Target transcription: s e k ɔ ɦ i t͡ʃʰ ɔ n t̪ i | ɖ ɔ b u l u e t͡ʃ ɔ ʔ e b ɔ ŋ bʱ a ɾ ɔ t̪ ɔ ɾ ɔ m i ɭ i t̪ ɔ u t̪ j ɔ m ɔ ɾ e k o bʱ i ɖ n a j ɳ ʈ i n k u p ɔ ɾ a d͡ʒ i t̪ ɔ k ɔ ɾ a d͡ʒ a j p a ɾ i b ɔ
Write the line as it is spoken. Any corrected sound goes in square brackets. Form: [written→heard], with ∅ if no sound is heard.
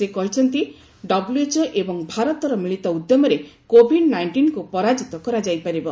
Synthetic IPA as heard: s e k ɔ ɦ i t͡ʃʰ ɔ n t̪ i | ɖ ɔ b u l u e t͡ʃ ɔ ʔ e b ɔ ŋ bʱ a ɾ ɔ t̪ ɔ ɾ ɔ m i ɭ i t̪ ɔ u [t̪→d̪] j ɔ m ɔ ɾ e k o bʱ i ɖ n a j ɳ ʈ i n k u p ɔ ɾ a d͡ʒ i t̪ ɔ k ɔ ɾ a d͡ʒ a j p a ɾ i b ɔ